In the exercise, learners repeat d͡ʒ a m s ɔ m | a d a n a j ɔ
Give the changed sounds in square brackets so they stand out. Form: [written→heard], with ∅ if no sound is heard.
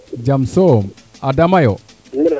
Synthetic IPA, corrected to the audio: d͡ʒ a m s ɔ m | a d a [n→m] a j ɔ